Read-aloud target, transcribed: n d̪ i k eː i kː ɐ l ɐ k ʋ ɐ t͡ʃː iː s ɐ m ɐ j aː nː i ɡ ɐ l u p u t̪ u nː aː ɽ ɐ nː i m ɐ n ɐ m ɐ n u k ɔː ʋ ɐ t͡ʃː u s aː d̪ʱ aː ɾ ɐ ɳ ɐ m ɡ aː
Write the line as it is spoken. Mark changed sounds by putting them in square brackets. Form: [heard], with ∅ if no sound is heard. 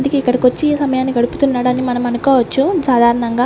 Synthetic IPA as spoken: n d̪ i k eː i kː ɐ [ɽ] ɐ k ʋ ɐ t͡ʃː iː s ɐ m ɐ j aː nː i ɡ ɐ [ɽ] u p u t̪ u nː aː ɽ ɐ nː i m ɐ n ɐ m ɐ n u k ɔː ʋ ɐ t͡ʃː u s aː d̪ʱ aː ɾ ɐ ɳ ɐ [ŋ] ɡ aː